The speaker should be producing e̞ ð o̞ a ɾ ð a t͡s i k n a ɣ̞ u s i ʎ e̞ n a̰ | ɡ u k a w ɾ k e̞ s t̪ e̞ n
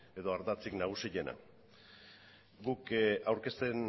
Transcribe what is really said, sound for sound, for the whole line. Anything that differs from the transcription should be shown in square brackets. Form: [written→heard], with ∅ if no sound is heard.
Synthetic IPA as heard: e̞ ð o̞ a ɾ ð a t͡s i k n a ɣ̞ u s i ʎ e̞ n a̰ | ɡ u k a w ɾ k e̞ s t̪ e̞ n